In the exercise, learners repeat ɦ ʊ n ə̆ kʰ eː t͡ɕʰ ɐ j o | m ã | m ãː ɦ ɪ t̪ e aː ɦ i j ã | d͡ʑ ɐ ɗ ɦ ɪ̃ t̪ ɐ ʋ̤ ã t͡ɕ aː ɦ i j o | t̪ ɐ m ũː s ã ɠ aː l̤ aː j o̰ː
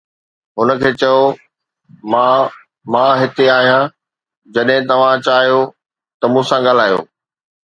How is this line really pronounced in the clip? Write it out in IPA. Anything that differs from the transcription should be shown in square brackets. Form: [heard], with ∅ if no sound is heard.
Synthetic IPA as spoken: ɦ ʊ n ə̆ kʰ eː [t͡ɕ] ɐ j o | m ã | m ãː ɦ ɪ t̪ e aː ɦ i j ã | d͡ʑ ɐ ɗ ɦ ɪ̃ t̪ ɐ ʋ̤ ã t͡ɕ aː ɦ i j o | t̪ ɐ m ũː s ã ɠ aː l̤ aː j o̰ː